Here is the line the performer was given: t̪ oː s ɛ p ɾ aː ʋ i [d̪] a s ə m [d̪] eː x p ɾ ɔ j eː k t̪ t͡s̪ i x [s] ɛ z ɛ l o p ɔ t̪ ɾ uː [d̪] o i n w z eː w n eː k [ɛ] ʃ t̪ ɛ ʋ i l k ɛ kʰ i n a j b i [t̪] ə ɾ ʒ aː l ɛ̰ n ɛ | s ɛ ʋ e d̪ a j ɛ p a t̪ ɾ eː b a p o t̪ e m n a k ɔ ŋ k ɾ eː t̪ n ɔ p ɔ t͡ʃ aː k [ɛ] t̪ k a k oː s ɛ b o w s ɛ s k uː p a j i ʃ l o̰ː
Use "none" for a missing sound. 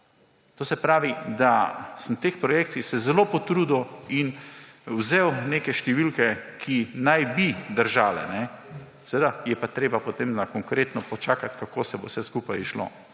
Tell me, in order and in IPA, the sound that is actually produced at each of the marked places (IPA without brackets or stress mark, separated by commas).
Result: d̪, t̪, s, d̪, ɛ, d̪, a